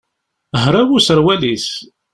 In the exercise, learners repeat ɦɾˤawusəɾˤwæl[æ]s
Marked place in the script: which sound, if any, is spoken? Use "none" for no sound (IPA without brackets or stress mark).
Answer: i